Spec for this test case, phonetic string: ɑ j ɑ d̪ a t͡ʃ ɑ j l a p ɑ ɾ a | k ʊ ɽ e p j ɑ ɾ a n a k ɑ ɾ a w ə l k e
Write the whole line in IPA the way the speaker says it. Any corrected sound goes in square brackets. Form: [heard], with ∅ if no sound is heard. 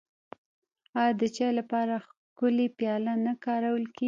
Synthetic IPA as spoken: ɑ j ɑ d̪ [ə] t͡ʃ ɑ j l a p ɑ ɾ a | k ʊ [l] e p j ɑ [l] a n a k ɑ ɾ a w ə l k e

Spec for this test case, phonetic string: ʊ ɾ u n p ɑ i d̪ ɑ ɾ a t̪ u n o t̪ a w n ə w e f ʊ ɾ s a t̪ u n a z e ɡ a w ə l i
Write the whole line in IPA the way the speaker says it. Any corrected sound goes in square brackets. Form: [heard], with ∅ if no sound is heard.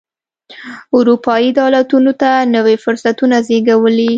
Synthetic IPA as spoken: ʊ ɾ u [∅] p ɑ i d̪ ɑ [l] a t̪ u n o t̪ a [∅] n ə w e f ʊ ɾ s a t̪ u n a z e ɡ a w ə l i

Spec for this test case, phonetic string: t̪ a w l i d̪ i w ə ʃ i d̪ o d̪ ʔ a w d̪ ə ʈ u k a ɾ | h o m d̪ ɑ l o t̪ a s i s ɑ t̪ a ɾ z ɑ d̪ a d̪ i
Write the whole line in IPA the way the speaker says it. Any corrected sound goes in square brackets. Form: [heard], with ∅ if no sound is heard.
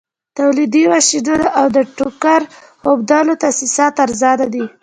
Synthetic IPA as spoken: t̪ a w l i d̪ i w [a] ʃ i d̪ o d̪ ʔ a w d̪ ə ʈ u k a ɾ | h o [b] d̪ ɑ l o t̪ a s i s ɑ t̪ a ɾ z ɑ d̪ a d̪ i

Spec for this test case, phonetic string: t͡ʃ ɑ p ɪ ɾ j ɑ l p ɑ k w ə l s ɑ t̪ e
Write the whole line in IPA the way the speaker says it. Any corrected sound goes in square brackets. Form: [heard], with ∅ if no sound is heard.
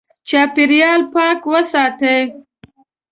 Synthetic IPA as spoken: t͡ʃ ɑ p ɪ ɾ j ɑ l p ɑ k w ə [∅] s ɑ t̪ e

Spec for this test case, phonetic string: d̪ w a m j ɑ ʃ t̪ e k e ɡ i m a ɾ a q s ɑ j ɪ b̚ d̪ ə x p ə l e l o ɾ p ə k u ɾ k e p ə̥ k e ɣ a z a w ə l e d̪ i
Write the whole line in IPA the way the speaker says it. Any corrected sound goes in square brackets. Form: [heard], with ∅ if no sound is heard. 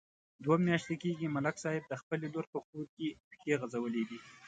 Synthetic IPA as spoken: d̪ w a m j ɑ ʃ t̪ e k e ɡ i m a [l] a [k] s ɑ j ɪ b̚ d̪ ə x p ə l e l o ɾ p ə k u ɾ k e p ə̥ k e ɣ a z a w ə l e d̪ i

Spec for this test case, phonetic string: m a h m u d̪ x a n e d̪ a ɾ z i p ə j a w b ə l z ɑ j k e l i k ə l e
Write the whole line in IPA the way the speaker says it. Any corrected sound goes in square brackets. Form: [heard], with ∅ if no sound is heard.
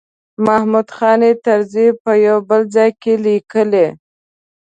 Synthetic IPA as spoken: m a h m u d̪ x [ɑ] n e [t̪] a ɾ z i p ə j a w b ə l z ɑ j k e l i k ə l e

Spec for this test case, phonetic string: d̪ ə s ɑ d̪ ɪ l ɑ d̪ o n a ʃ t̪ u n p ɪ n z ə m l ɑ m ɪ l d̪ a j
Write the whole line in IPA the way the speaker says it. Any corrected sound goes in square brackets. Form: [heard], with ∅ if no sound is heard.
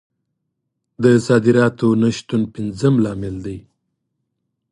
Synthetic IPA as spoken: d̪ ə s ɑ d̪ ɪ [ɾ] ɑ [t̪] o n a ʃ t̪ u n p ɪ n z ə m l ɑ m ɪ l d̪ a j

